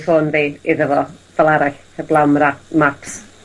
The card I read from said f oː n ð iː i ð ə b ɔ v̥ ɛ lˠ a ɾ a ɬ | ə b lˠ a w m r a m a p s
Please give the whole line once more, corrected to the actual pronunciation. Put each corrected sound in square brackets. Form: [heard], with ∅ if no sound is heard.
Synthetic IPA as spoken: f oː n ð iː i ð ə [v] ɔ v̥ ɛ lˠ a ɾ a ɬ | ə b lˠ a w m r a m a p s